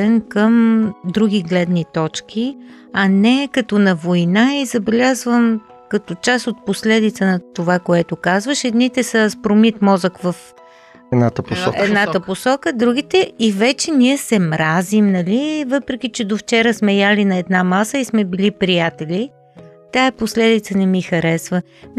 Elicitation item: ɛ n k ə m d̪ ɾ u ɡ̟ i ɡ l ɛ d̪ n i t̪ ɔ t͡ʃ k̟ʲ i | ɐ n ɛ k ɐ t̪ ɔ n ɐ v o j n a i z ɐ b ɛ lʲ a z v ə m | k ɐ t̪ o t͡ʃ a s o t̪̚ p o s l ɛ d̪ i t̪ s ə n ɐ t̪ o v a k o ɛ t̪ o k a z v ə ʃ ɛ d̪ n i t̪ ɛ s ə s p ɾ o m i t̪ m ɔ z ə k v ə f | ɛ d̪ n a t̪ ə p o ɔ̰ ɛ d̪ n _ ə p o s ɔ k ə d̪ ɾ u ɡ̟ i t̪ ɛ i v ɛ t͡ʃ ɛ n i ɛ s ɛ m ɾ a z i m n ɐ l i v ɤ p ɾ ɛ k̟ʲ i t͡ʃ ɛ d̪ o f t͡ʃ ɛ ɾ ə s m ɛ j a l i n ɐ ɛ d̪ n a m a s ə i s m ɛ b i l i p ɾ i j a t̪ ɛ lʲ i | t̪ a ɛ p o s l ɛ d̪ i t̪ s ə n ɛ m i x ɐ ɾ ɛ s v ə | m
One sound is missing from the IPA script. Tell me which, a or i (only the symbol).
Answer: a